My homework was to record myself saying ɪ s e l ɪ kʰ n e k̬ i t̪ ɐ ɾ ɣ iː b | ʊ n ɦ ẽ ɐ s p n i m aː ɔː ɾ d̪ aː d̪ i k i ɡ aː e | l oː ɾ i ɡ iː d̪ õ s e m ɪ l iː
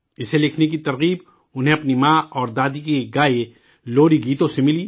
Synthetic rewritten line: ɪ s e l ɪ kʰ n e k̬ i t̪ ɐ ɾ ɣ iː b | ʊ n ɦ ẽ ɐ p n i m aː ɔː ɾ d̪ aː d̪ i k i ɡ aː e | l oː ɾ i ɡ iː t̪ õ s e m ɪ l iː